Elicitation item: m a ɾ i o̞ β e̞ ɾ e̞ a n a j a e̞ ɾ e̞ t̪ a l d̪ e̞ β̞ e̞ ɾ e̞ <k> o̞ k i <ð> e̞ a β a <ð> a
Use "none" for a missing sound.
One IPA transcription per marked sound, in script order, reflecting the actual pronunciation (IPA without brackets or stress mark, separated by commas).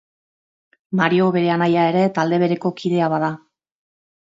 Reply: k, ð, ð